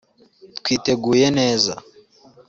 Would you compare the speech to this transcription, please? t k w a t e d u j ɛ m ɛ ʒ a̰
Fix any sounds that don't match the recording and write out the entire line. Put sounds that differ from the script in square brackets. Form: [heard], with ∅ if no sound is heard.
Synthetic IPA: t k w [i] t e [ɡ] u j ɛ [n] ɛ [z] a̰